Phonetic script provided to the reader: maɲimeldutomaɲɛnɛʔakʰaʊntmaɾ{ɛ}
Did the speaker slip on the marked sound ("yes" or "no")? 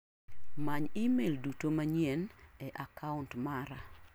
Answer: yes